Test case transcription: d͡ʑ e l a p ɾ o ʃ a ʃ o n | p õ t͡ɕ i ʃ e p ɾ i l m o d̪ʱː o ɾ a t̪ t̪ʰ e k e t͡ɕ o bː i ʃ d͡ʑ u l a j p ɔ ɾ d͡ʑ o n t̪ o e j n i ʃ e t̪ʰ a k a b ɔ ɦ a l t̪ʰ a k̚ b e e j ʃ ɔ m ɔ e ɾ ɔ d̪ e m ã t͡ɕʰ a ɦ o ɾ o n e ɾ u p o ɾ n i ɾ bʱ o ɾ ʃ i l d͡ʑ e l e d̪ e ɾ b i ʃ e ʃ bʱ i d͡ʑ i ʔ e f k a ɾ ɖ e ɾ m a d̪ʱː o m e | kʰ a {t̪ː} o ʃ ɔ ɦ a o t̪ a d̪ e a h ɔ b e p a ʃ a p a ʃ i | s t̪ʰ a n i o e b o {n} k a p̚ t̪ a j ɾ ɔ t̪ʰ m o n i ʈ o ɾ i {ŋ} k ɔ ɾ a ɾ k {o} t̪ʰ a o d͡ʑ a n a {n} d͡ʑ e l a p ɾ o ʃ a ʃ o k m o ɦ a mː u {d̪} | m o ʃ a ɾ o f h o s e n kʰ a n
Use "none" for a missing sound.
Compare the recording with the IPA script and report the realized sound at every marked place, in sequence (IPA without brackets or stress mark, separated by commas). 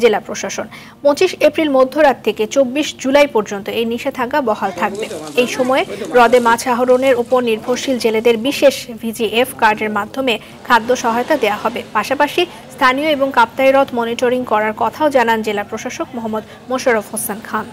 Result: d̪ː, ŋ, ŋ, ɔ, n, d̪